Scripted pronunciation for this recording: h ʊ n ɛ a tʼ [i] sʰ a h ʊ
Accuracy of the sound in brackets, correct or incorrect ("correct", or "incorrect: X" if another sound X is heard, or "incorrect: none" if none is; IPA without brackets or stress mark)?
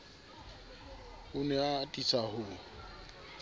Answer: correct